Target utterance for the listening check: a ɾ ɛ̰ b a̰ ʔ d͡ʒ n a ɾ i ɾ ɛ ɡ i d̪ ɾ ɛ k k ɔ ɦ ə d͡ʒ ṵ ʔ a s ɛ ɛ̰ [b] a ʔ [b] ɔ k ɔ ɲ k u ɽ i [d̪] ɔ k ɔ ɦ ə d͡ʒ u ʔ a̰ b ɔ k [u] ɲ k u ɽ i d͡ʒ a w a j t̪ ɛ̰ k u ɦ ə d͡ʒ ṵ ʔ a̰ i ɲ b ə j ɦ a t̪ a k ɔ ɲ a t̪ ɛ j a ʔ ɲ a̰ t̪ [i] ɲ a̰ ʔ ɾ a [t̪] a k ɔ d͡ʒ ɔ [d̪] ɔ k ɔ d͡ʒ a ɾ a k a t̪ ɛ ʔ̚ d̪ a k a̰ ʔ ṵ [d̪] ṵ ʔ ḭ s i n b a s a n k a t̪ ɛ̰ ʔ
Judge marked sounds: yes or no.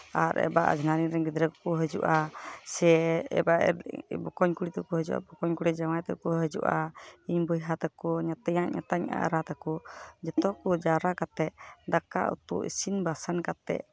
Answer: yes, yes, no, no, no, yes, no, no

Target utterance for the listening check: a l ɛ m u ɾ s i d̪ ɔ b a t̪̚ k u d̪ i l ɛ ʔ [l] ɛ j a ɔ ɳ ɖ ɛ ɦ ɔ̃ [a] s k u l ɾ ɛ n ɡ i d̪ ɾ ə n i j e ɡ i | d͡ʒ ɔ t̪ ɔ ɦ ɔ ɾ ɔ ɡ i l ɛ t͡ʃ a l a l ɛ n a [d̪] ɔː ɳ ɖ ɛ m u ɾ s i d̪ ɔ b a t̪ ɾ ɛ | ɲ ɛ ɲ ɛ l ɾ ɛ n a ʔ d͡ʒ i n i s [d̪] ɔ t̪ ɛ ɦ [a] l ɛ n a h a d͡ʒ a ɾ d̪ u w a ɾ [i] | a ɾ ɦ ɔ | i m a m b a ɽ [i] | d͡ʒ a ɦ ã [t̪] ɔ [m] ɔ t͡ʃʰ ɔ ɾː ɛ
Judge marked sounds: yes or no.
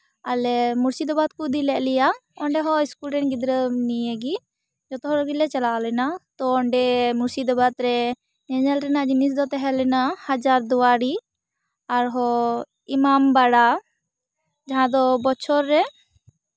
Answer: yes, no, no, yes, no, yes, no, no, no

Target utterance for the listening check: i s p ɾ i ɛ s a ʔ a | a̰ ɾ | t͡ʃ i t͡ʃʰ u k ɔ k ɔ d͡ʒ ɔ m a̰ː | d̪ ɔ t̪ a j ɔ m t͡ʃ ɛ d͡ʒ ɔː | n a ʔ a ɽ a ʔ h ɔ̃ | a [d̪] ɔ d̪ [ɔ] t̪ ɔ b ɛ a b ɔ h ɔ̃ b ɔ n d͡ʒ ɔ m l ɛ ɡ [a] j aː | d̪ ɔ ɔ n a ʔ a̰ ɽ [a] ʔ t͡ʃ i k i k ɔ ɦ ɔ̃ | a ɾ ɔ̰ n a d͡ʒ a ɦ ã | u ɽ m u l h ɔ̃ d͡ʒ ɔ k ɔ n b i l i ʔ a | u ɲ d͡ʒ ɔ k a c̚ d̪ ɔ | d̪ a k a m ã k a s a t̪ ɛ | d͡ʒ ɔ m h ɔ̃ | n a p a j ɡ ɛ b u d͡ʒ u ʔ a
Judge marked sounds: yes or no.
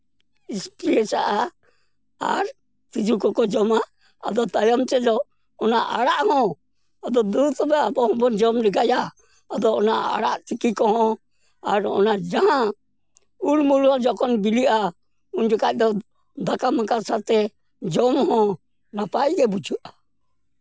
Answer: yes, no, yes, yes

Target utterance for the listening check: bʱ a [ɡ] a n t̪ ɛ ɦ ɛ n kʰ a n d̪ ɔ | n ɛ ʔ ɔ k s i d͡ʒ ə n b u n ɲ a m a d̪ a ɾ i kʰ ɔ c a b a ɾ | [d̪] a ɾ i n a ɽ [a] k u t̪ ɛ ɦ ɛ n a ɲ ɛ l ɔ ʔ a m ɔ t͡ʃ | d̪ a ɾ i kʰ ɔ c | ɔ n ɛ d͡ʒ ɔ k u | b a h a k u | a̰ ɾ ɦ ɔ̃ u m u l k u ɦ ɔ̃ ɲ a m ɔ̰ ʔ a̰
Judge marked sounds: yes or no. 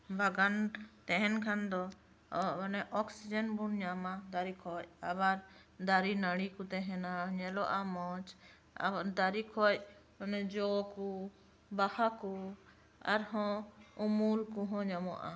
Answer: yes, yes, no

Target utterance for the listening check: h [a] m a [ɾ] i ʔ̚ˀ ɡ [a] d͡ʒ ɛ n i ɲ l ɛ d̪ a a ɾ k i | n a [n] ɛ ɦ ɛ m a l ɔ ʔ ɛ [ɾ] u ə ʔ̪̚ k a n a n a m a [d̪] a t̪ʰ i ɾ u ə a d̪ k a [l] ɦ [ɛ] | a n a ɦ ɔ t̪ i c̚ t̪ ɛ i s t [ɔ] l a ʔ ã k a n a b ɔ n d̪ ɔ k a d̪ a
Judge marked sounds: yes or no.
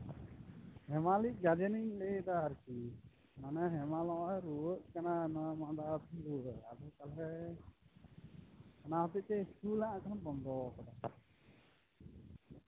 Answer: no, no, yes, yes, yes, yes, yes, yes, no

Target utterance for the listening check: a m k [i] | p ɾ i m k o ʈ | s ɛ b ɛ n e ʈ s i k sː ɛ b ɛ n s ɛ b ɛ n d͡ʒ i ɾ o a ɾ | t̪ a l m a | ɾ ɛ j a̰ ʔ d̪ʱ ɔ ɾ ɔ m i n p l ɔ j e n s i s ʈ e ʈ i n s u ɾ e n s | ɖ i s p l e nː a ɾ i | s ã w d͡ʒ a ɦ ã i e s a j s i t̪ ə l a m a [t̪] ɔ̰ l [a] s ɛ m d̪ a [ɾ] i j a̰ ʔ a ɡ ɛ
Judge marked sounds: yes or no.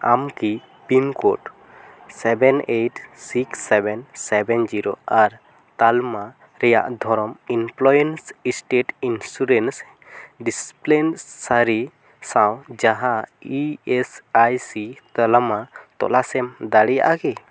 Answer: yes, yes, yes, no

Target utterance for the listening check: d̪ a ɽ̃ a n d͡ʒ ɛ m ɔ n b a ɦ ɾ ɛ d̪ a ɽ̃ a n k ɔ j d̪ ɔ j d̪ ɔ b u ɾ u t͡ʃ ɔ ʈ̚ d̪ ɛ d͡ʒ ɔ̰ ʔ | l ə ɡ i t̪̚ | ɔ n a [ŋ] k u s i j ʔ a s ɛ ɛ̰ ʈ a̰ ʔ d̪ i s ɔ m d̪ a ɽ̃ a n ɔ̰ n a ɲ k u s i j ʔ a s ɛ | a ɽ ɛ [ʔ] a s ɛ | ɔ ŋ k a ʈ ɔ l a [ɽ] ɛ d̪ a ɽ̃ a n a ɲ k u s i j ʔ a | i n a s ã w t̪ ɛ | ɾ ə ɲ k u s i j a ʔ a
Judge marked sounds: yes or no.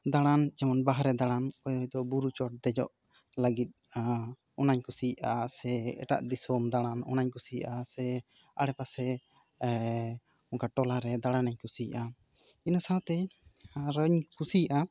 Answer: no, no, no

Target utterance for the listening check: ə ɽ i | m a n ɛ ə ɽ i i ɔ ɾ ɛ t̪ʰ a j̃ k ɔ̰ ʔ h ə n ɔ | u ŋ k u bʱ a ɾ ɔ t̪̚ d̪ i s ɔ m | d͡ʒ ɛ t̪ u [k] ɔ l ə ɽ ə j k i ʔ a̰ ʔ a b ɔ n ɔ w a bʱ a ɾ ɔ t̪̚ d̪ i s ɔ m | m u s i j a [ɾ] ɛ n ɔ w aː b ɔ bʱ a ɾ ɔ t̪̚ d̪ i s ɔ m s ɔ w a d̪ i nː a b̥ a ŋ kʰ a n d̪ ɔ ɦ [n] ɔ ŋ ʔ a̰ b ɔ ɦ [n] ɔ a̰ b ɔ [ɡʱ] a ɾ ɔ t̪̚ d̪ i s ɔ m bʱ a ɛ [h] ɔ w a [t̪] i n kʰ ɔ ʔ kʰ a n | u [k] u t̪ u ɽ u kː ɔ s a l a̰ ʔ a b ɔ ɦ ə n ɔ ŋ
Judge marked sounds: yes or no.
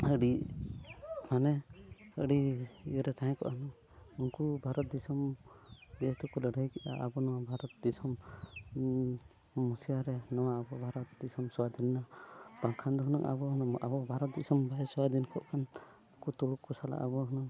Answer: yes, yes, yes, yes, no, no, no, yes

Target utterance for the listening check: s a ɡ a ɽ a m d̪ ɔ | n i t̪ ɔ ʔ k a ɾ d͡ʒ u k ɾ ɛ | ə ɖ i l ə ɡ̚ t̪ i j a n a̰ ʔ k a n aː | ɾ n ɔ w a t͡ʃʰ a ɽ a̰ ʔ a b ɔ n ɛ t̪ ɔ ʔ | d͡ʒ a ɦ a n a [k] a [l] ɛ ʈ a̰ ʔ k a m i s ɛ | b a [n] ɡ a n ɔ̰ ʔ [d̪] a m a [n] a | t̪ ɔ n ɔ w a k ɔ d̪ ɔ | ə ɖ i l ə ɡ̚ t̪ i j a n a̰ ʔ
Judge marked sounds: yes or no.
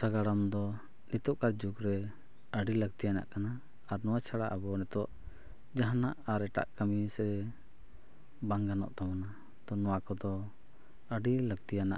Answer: no, no, no, no, yes

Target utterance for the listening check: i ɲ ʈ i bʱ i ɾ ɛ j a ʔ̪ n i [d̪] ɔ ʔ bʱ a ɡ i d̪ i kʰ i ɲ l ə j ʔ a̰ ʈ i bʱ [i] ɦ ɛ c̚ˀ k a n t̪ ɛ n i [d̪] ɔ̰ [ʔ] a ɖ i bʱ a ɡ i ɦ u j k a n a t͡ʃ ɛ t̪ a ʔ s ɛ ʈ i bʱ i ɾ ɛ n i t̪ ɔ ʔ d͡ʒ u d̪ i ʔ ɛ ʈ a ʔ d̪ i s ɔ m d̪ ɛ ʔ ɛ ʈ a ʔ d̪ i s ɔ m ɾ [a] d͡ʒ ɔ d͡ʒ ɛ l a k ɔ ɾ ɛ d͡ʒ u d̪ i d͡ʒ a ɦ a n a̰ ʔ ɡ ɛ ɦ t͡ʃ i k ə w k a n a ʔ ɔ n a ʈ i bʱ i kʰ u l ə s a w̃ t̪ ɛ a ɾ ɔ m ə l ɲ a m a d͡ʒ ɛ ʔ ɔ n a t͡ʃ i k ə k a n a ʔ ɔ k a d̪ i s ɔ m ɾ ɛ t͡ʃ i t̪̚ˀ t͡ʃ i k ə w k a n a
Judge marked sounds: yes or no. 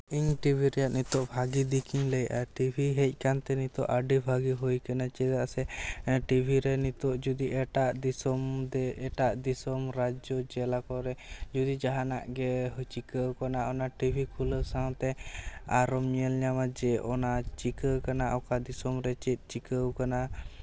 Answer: no, yes, no, yes, yes

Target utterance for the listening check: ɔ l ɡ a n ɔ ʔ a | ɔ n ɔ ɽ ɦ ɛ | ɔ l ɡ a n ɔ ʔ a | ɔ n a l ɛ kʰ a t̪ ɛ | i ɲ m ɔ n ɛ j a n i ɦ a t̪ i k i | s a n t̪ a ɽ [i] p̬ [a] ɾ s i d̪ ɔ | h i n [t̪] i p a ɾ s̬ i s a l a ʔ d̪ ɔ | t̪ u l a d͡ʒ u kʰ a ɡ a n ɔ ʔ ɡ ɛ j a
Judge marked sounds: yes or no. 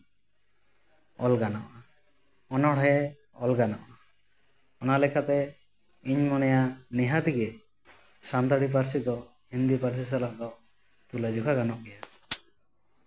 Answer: yes, yes, no

